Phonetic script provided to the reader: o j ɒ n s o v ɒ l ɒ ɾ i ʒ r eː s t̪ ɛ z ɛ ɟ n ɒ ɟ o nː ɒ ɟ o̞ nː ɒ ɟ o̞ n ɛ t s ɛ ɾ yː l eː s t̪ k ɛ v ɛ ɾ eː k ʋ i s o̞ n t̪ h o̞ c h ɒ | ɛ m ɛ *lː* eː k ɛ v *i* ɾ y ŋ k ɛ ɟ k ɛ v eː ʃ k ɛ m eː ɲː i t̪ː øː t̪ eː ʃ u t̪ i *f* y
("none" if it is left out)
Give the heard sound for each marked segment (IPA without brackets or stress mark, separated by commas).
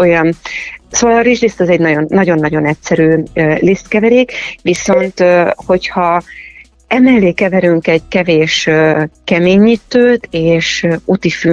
lː, ɛ, f